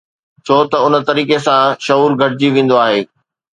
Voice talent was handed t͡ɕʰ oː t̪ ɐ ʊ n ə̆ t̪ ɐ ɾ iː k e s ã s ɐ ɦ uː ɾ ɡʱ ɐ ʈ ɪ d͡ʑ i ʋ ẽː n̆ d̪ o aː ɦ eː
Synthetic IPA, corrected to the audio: t͡ɕʰ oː t̪ ɐ ʊ n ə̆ t̪ ɐ ɾ iː k e s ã ʃ ɐ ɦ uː ɾ ɡʱ ɐ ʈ ɪ d͡ʑ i ʋ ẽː n̆ d̪ o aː ɦ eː